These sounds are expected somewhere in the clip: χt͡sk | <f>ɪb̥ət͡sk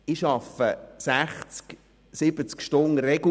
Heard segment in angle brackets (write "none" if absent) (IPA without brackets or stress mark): s